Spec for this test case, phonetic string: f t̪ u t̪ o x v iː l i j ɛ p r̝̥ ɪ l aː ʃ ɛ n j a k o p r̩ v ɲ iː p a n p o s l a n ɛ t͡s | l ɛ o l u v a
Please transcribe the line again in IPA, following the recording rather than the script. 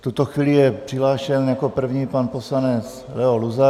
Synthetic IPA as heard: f t̪ u t̪ o x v iː l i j ɛ p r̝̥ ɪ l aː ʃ ɛ n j a k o p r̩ v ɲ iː p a n p o s l a n ɛ t͡s | l ɛ o l u z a

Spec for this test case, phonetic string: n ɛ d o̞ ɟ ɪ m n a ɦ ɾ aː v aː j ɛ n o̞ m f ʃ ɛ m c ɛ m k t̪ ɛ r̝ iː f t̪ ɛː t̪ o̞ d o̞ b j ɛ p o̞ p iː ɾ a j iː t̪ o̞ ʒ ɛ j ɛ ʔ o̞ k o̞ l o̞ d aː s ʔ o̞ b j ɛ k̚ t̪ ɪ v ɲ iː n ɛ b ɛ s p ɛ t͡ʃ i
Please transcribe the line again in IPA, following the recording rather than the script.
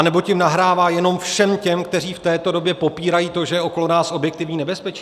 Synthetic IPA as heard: n ɛ b o̞ c ɪ m n a ɦ ɾ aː v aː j ɛ n o̞ m f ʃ ɛ m c ɛ m k t̪ ɛ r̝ iː f t̪ ɛː t̪ o̞ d o̞ b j ɛ p o̞ p iː ɾ a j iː t̪ o̞ ʒ ɛ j ɛ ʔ o̞ k o̞ l o̞ n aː s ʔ o̞ b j ɛ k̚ t̪ ɪ v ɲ iː n ɛ b ɛ s p ɛ t͡ʃ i

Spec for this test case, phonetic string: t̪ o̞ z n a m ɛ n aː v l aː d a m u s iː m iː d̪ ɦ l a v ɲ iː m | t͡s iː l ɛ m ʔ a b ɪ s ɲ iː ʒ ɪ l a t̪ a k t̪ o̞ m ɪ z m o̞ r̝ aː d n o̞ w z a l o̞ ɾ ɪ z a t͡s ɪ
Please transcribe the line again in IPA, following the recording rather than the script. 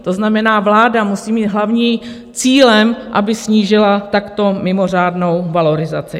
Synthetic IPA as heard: t̪ o̞ z n a m ɛ n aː v l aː d a m u s iː m iː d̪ ɦ l a v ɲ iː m | t͡s iː l ɛ m ʔ a b ɪ s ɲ iː ʒ ɪ l a t̪ a k t̪ o̞ m ɪ m o̞ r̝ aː d n o̞ w v a l o̞ ɾ ɪ z a t͡s ɪ

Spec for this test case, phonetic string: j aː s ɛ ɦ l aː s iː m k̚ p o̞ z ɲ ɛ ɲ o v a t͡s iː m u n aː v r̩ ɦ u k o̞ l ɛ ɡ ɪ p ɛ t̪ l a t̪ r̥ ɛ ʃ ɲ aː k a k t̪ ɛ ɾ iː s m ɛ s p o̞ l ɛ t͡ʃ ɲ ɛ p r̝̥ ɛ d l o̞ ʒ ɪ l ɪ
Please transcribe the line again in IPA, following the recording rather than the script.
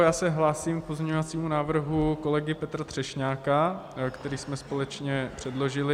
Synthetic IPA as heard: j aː s ɛ ɦ l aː s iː m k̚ p o̞ z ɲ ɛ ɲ o v a t͡s iː m u n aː v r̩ ɦ u k o̞ l ɛ ɡ ɪ p ɛ t̪ ɾ a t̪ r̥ ɛ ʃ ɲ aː k a k t̪ ɛ ɾ iː s m ɛ s p o̞ l ɛ t͡ʃ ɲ ɛ p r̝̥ ɛ d l o̞ ʒ ɪ l ɪ

